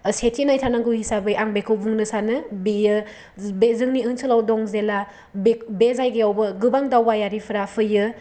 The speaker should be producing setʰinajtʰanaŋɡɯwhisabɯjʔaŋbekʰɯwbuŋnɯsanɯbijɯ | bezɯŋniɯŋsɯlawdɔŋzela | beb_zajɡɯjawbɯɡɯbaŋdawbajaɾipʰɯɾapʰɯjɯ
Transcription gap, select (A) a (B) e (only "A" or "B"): B